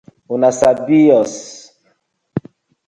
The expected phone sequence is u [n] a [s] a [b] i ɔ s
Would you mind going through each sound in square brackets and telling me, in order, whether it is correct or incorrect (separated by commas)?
correct, correct, correct